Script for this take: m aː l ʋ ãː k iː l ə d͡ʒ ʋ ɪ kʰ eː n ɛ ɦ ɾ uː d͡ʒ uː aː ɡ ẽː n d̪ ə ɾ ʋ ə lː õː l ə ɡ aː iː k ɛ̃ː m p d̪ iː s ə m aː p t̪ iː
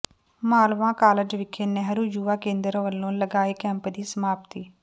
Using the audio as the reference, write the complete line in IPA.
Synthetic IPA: m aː l ʋ ãː k aː l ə d͡ʒ ʋ ɪ kʰ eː n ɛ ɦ ɾ uː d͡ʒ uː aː k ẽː n d̪ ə ɾ ʋ ə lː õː l ə ɡ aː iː k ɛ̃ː m p d̪ iː s ə m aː p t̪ iː